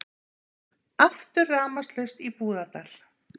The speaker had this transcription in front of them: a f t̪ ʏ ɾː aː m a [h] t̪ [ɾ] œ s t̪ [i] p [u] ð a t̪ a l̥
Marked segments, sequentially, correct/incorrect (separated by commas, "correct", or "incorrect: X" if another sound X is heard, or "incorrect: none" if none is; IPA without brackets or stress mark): incorrect: s, incorrect: l, correct, incorrect: uː